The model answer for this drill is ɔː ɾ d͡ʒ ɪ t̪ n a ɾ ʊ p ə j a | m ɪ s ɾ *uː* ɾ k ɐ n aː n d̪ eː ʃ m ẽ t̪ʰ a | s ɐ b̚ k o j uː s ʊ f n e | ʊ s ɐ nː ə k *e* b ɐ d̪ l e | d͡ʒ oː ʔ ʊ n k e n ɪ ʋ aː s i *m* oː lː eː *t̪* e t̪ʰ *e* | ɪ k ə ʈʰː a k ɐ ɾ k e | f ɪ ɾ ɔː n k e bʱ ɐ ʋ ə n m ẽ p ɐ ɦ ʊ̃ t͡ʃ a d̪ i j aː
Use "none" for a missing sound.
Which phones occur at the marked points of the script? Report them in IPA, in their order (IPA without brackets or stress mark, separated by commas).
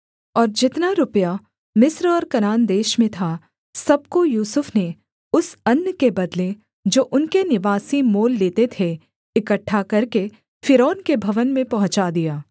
ɔː, e, m, t̪, e